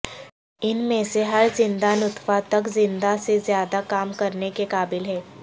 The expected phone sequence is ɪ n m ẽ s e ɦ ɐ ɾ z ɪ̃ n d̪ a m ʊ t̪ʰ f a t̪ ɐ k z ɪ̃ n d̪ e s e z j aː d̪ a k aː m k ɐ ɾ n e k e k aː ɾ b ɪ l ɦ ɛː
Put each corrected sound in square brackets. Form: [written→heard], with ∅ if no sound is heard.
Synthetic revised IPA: ɪ n m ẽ s e ɦ ɐ ɾ z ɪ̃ n d̪ a [m→n] ʊ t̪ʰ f a t̪ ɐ k z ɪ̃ n d̪ [e→a] s e z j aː d̪ a k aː m k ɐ ɾ n e k e k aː [ɾ→∅] b ɪ l ɦ ɛː